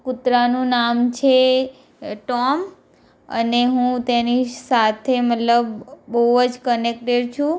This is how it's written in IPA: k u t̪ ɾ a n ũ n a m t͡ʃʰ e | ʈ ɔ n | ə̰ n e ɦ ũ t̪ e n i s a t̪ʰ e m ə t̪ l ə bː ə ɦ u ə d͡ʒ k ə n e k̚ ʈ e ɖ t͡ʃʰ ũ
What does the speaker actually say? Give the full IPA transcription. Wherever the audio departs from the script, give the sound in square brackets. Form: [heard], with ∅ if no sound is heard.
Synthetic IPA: k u t̪ ɾ a n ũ n a m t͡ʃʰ e | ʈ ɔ [m] | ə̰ n e ɦ ũ t̪ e n i s a t̪ʰ e m ə t̪ l ə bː ə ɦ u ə d͡ʒ k ə n e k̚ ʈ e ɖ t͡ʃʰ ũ